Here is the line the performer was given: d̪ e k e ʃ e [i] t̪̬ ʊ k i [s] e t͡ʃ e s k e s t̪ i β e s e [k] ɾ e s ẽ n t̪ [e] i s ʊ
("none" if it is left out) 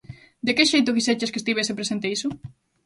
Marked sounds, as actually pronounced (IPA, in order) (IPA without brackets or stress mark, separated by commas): j, s, p, e